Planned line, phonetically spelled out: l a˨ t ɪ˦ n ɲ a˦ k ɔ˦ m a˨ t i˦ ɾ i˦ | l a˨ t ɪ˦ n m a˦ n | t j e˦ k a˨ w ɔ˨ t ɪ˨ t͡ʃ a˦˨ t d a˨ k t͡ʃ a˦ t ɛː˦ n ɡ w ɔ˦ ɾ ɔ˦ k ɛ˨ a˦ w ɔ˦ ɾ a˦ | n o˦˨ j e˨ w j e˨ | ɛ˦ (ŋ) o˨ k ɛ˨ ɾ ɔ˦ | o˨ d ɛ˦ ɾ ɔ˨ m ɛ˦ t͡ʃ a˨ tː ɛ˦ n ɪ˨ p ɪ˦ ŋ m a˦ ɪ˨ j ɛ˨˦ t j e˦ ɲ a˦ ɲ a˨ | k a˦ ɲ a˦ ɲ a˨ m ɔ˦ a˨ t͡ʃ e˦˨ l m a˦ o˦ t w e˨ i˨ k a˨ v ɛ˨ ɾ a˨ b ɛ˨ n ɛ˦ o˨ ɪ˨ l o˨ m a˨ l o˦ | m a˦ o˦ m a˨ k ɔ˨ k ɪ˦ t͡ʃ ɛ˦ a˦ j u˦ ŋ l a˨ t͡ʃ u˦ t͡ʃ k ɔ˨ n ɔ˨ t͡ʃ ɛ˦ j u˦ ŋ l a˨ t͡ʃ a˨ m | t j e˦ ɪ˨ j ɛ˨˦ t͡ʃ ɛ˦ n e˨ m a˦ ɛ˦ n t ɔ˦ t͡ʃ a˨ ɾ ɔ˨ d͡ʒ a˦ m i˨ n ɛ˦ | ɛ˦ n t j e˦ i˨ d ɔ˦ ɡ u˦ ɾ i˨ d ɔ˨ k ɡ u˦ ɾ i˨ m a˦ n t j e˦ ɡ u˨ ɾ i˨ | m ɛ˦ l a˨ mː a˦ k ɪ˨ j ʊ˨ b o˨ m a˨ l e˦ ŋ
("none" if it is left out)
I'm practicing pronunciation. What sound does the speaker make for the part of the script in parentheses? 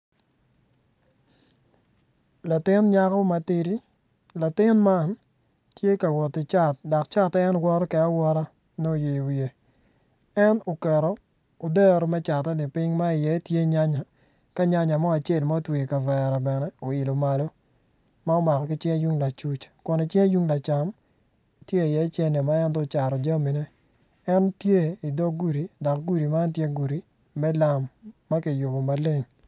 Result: n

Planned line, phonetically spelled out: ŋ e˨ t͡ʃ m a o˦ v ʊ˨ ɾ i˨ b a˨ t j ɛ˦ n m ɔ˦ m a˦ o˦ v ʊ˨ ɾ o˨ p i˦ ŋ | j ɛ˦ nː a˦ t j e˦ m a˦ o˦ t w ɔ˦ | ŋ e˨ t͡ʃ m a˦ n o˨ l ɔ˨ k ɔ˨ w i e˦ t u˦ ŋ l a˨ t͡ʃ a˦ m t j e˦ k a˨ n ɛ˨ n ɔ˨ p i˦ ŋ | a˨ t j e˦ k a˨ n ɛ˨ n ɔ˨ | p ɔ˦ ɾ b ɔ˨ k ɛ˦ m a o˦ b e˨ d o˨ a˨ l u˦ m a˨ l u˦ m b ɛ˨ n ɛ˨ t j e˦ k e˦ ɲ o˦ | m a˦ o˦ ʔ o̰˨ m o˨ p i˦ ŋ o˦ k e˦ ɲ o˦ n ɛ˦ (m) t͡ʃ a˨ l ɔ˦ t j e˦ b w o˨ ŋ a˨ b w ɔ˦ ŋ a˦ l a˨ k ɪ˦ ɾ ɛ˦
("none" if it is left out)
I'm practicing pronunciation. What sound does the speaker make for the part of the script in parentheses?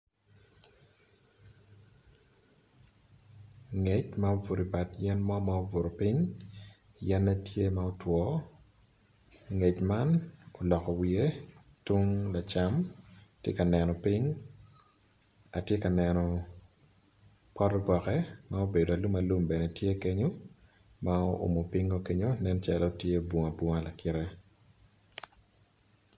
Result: n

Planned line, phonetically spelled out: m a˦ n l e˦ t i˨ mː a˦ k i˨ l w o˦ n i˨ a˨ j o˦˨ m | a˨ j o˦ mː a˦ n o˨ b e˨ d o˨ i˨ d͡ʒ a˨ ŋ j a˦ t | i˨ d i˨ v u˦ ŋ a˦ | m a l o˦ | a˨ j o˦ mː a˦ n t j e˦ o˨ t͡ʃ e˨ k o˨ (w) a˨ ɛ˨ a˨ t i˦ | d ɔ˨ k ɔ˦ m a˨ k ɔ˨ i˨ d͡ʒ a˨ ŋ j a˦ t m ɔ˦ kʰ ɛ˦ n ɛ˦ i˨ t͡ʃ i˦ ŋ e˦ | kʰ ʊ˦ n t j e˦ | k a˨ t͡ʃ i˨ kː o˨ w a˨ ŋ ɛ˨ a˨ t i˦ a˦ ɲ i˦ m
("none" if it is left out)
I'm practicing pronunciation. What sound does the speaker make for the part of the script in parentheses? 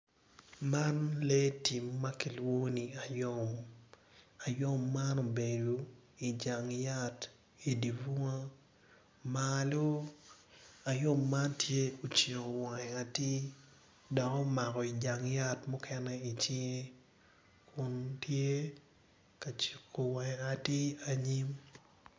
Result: w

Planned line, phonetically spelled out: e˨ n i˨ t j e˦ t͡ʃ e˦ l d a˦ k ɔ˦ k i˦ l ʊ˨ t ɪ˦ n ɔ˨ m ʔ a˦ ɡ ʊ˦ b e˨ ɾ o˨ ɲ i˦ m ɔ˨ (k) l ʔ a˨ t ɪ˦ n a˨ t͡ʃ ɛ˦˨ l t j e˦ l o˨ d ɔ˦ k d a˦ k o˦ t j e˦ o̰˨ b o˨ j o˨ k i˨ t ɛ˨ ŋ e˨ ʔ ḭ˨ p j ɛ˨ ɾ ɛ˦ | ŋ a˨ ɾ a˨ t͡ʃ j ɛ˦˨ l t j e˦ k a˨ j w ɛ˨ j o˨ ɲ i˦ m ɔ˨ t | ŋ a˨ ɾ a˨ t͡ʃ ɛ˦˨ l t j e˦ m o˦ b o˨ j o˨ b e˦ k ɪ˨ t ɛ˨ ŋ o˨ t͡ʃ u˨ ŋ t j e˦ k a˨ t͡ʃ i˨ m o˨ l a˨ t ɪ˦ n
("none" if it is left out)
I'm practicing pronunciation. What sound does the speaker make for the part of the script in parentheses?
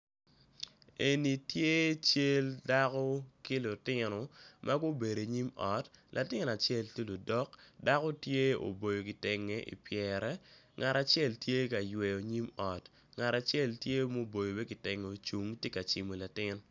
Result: t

